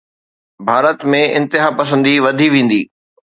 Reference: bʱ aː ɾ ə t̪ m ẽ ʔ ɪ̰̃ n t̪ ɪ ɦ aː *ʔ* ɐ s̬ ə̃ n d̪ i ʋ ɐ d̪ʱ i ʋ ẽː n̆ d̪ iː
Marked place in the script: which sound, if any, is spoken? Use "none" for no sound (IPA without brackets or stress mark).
p